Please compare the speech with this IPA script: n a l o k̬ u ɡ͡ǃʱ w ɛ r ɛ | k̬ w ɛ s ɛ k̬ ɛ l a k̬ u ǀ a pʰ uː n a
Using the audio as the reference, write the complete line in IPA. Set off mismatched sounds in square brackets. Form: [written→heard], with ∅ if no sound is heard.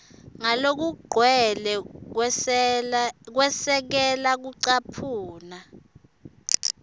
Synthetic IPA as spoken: [n→ŋ] a l o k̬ u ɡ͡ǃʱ w ɛ [r→l] ɛ | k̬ w ɛ s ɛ k̬ ɛ l a k̬ u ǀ a pʰ uː n a